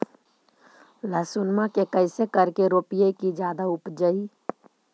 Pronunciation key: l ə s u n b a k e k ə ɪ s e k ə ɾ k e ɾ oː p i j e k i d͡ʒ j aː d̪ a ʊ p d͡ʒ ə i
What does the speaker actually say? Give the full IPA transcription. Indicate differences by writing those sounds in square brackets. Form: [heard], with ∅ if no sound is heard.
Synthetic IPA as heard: l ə s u n [m] a k e k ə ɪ s e k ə ɾ k e ɾ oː p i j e k i d͡ʒ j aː d̪ a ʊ p d͡ʒ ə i